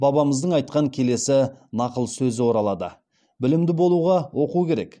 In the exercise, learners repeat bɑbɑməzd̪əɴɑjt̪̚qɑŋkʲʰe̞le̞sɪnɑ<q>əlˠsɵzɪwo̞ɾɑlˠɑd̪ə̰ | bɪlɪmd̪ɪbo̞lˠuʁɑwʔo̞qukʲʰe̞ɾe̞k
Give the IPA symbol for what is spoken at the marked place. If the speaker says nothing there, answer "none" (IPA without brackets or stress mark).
q